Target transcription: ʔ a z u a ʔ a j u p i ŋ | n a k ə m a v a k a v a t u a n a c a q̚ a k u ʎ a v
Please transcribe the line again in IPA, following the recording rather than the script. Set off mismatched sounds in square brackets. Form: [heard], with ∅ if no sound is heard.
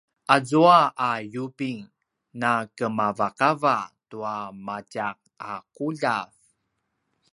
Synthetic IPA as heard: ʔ a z u a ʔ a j u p i ŋ | n a k ə m a v a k a v a t u a [m] a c a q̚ a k u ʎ a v